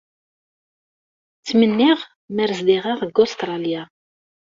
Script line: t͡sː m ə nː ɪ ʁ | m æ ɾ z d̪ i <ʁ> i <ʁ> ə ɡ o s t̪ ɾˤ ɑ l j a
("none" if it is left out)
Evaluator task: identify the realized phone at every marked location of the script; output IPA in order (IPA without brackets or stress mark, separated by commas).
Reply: ʁ, ʁ